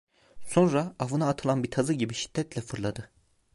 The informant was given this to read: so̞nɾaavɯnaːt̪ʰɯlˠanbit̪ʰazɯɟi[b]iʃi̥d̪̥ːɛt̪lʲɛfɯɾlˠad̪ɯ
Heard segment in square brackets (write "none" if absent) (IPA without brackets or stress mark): b